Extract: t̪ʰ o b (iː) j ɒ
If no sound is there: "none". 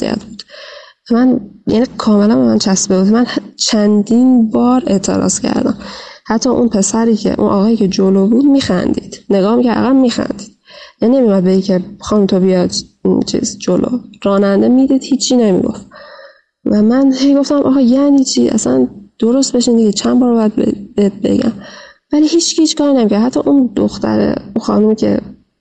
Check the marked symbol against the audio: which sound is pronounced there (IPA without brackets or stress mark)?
i